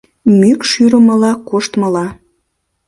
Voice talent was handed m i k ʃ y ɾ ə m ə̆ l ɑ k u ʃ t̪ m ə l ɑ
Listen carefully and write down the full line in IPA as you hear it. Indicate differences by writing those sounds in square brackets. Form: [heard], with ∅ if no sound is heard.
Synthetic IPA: m [y] k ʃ y ɾ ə m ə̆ l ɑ k [o] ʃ t̪ m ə l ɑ